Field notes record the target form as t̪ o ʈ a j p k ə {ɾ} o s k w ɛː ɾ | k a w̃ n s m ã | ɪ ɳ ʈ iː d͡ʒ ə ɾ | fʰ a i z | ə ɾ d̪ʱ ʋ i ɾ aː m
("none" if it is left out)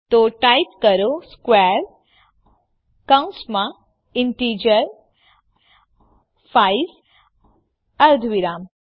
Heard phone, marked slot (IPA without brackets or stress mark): ɾ